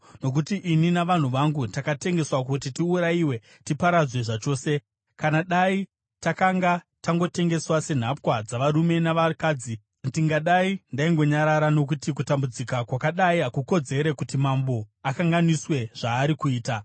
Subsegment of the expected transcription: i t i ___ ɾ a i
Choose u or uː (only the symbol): u